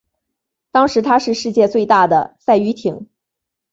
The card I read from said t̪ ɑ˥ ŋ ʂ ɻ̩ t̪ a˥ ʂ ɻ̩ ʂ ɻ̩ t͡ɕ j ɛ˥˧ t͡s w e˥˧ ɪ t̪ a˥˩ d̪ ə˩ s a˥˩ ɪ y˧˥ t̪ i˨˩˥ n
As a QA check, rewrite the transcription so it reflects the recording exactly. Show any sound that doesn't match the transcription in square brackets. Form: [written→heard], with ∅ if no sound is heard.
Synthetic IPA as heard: t̪ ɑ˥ ŋ ʂ ɻ̩ [t̪→t̪ʰ] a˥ ʂ ɻ̩ ʂ ɻ̩ t͡ɕ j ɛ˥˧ t͡s w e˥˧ ɪ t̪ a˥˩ d̪ ə˩ s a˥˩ ɪ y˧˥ [t̪→t̪ʰ] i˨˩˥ [n→ŋ]